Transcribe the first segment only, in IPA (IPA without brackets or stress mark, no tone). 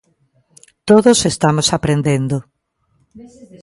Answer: t̪